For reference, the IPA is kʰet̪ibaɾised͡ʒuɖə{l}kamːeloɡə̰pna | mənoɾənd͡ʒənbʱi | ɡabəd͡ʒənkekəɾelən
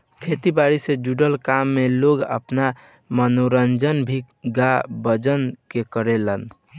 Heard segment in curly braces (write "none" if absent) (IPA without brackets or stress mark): l